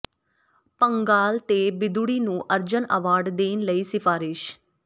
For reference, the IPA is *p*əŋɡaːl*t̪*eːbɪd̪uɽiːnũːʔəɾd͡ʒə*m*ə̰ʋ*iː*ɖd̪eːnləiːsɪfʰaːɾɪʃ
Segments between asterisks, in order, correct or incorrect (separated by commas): correct, correct, incorrect, incorrect